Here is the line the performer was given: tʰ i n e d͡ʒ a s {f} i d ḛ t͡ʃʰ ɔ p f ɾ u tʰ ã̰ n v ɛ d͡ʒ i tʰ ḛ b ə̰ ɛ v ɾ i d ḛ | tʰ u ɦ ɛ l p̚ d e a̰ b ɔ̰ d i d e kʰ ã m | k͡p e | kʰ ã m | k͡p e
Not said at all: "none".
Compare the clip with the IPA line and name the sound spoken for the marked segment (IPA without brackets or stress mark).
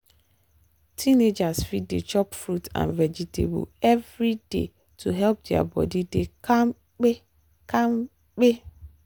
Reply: f